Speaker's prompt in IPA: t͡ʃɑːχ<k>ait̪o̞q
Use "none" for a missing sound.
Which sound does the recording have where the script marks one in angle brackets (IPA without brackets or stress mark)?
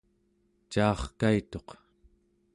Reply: k